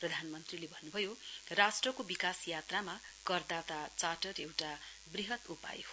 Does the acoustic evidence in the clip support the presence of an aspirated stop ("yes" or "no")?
no